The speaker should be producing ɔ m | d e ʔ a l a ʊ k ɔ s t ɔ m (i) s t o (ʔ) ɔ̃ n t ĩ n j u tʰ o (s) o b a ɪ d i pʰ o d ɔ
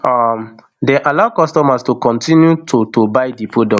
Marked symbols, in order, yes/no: no, no, no

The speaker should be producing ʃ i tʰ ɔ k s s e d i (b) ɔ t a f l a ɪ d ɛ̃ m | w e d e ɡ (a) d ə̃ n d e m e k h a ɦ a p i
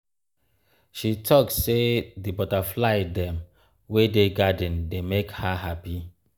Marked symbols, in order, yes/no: yes, yes

